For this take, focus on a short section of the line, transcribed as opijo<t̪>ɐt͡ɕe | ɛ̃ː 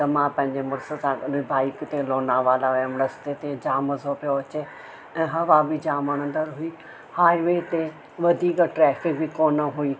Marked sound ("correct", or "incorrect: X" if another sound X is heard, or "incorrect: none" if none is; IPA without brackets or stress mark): incorrect: none